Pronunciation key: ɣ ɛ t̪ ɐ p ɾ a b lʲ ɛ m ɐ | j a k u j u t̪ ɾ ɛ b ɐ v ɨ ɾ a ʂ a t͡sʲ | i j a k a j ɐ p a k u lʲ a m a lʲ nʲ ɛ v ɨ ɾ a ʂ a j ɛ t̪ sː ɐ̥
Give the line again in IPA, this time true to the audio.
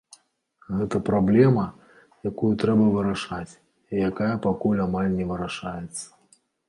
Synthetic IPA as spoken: ɣ ɛ t̪ ɐ p ɾ a b lʲ ɛ m ɐ | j a k u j u t̪ ɾ ɛ b ɐ v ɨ ɾ a ʂ a t͡sʲ | i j a k a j ɐ p a k u lʲ a m a lʲ nʲ ɛ v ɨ ɾ a ʂ a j ɛ t̪ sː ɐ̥

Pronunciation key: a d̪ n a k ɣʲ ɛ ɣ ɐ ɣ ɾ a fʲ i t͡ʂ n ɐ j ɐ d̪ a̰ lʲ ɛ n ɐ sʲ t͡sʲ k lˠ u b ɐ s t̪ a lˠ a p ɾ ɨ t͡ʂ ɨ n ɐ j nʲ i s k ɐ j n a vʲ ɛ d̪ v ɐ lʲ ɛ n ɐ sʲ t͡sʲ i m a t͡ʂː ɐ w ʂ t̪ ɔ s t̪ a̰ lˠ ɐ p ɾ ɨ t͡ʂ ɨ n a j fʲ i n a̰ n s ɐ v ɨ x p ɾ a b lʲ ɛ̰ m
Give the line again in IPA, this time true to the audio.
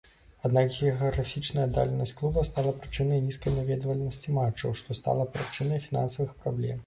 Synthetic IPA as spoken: a d̪ n a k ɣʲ ɛ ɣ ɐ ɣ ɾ a fʲ i t͡ʂ n ɐ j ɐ d̪ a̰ lʲ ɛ n ɐ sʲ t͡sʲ k lˠ u b ɐ s t̪ a lˠ ɐ p ɾ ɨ t͡ʂ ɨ n ɐ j nʲ i s k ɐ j n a vʲ ɛ d̪ v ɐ lʲ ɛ n ɐ sʲ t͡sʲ i m a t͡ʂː ɐ w ʂ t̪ ɔ s t̪ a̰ lˠ ɐ p ɾ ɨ t͡ʂ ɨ n ɐ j fʲ i n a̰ n s ɐ v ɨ x p ɾ a b lʲ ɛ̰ m

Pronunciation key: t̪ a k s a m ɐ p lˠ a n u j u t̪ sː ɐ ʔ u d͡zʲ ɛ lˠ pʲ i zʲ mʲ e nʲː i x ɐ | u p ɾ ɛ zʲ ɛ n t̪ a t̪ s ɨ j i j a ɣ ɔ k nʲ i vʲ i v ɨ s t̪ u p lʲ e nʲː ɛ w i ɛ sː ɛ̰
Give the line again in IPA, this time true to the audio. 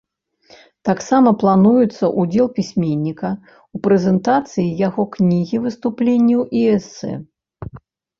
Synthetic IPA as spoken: t̪ a k s a m ɐ p lˠ a n u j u t̪ sː ɐ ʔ u d͡zʲ ɛ lˠ pʲ i sʲ mʲ e nʲː i k ɐ | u p ɾ ɛ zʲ ɛ n t̪ a t̪ s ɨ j i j a ɣ ɔ k nʲ i ɣʲ i v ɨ s t̪ u p lʲ e nʲː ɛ w i ɛ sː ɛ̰

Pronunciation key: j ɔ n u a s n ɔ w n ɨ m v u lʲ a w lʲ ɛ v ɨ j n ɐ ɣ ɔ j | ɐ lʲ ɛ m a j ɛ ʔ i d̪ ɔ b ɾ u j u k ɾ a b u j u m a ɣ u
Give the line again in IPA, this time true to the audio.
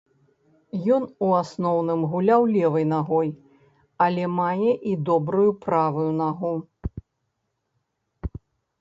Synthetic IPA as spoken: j ɔ n u a s n ɔ w n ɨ m ɣ u lʲ a w lʲ ɛ v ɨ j n a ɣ ɔ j | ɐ lʲ ɛ m a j ɛ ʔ i d̪ ɔ b ɾ u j u p ɾ a v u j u n a ɣ u

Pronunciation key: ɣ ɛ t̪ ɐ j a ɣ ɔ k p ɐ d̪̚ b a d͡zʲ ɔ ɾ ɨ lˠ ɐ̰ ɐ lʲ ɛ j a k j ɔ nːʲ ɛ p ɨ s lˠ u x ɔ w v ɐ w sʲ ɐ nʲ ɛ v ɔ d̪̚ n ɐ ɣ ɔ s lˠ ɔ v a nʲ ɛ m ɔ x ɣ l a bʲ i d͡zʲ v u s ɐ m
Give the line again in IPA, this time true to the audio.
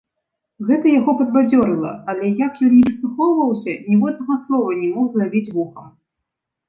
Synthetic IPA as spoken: ɣ ɛ t̪ ɐ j a ɣ ɔ p ɐ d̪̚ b a d͡zʲ ɔ ɾ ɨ lˠ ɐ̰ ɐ lʲ ɛ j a k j ɔ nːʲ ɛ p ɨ s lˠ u x ɔ w v ɐ w sʲ ɐ nʲ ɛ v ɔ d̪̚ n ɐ ɣ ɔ s lˠ ɔ v ɐ nʲ ɛ m ɔ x z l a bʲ i d͡zʲ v u x ɐ m

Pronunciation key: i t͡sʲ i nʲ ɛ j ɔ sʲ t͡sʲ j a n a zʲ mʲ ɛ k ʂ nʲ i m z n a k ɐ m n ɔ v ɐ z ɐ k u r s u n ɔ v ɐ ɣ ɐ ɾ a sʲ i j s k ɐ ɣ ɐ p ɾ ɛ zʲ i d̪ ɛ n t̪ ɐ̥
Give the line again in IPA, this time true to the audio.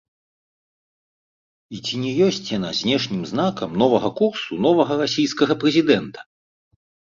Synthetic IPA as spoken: i t͡sʲ i nʲ ɛ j ɔ sʲ t͡sʲ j a n a zʲ nʲ ɛ ʂ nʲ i m z n a k ɐ m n ɔ v ɐ ɣ ɐ k u r s u n ɔ v ɐ ɣ ɐ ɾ a sʲ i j s k ɐ ɣ ɐ p ɾ ɛ zʲ i d̪ ɛ n t̪ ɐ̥

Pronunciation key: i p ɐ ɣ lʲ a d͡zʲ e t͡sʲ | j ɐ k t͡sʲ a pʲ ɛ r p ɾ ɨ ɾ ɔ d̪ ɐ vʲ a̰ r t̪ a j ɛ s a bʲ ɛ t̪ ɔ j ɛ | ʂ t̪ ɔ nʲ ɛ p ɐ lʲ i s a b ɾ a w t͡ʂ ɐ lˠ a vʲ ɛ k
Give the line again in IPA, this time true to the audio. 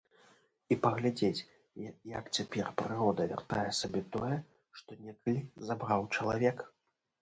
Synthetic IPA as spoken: i p ɐ ɣ lʲ a d͡zʲ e t͡sʲ | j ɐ k t͡sʲ a pʲ ɛ r p ɾ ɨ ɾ ɔ d̪ ɐ vʲ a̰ r t̪ a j ɛ s a bʲ ɛ t̪ ɔ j ɛ | ʂ t̪ ɔ nʲ ɛ k ɐ lʲ i z a b ɾ a w t͡ʂ ɐ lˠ a vʲ ɛ k

